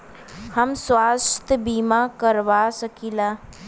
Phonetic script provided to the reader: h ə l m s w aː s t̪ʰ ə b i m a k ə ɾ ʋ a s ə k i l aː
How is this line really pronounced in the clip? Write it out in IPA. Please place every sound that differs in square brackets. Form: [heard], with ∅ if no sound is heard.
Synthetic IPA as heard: h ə [∅] m s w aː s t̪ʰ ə b i m a k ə ɾ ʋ a s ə k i l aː